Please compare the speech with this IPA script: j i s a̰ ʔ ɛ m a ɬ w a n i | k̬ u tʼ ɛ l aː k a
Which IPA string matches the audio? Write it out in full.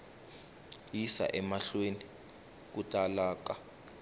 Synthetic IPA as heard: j i s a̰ ʔ ɛ m a ɬ w e n i | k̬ u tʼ a l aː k a